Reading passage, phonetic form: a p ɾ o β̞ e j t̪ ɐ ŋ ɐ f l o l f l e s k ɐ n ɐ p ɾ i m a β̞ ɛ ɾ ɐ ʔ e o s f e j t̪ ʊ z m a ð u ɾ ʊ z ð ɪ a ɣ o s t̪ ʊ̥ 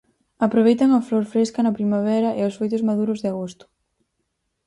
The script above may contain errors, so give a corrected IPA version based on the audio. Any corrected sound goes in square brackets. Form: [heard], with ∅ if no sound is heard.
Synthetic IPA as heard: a p ɾ o β̞ e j t̪ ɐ ŋ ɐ f l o [ɾ] f [ɾ] e s k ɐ n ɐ p ɾ i m a β̞ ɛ ɾ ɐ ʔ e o s f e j t̪ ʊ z m a ð u ɾ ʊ z ð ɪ a ɣ o s t̪ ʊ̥

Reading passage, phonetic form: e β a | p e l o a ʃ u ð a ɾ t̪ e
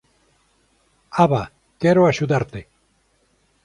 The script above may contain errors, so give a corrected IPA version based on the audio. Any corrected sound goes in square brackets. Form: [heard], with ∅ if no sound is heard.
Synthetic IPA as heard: [a] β a | [k] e [ɾ] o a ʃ u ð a ɾ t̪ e

